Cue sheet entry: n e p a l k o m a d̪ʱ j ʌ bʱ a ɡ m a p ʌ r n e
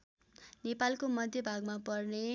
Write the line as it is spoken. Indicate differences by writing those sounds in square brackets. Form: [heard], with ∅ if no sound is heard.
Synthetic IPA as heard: n e p a l k o m [ʌ] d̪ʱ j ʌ bʱ a ɡ m a p ʌ r n e